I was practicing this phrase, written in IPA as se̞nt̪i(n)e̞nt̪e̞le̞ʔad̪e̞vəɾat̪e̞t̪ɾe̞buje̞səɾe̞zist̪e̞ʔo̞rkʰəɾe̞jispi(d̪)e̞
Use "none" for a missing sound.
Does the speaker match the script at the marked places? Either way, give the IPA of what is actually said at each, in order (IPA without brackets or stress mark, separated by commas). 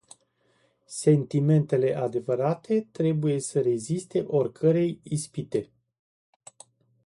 m, t̪